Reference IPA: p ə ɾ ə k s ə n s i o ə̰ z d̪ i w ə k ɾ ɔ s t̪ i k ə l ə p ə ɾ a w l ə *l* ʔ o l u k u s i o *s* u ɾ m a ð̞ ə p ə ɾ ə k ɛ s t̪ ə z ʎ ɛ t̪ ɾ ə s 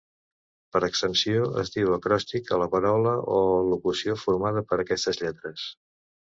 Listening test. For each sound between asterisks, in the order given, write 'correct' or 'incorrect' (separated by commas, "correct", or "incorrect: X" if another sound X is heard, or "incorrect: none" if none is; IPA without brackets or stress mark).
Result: incorrect: none, incorrect: f